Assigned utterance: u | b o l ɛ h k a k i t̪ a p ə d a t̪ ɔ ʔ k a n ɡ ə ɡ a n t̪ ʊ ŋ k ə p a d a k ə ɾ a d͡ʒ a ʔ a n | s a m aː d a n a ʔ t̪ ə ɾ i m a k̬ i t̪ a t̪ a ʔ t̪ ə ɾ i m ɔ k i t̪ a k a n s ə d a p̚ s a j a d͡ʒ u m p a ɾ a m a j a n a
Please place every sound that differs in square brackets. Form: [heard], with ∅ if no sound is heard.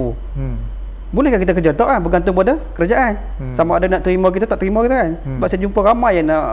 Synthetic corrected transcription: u | b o l ɛ h k a k i t̪ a [k] ə [d͡ʒ] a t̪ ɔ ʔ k a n [b] ə ɡ a n t̪ ʊ ŋ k ə p a d a k ə ɾ a d͡ʒ a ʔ a n | s a m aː d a n a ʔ t̪ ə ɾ i m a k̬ i t̪ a t̪ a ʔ t̪ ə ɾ i m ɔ k i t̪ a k a n s ə [b] a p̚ s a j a d͡ʒ u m p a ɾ a m a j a n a